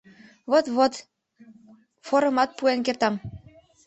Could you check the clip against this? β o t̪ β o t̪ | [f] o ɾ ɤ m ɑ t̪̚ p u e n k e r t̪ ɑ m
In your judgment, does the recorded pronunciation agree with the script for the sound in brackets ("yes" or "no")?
yes